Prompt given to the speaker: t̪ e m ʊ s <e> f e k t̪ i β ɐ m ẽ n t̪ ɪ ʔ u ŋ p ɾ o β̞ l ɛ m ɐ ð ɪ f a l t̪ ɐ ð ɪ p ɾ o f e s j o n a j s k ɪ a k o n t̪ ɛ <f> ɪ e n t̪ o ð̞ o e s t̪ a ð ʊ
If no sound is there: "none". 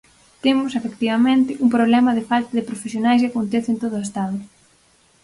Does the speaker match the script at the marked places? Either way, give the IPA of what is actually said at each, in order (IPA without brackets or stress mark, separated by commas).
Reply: e, θ